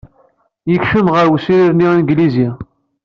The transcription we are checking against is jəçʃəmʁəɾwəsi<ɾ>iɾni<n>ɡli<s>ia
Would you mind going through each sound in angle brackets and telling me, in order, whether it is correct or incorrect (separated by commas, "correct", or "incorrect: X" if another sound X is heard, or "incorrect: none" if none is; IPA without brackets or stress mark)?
correct, correct, incorrect: z